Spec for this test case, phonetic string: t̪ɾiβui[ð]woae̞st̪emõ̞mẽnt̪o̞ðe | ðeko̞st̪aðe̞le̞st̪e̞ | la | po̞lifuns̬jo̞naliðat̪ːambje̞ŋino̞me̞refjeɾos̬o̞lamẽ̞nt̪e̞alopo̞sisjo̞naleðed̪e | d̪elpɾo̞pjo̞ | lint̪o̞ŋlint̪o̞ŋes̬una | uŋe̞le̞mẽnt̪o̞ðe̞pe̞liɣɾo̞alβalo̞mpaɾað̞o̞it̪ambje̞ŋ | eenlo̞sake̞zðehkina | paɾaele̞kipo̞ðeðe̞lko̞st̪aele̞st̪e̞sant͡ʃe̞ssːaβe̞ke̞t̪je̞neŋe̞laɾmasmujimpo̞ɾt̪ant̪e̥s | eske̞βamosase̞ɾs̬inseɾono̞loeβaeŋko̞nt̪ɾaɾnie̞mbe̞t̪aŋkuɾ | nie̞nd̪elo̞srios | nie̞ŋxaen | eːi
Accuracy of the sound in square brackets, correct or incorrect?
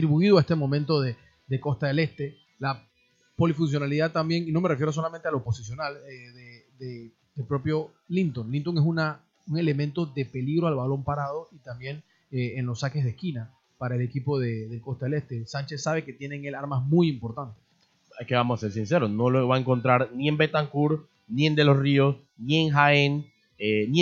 correct